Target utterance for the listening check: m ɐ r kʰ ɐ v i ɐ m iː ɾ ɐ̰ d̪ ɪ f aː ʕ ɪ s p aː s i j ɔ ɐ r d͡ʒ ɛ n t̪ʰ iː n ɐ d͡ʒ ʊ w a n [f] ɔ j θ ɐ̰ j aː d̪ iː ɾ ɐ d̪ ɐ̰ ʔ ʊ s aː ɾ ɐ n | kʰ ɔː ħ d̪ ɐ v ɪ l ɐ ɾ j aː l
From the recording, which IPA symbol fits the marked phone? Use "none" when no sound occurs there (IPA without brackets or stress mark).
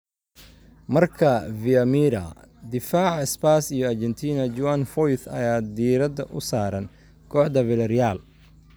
f